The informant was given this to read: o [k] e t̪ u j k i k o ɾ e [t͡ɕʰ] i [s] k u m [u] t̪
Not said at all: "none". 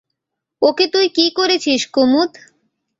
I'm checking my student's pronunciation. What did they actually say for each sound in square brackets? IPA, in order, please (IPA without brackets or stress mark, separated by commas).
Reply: k, t͡ɕʰ, ʃ, u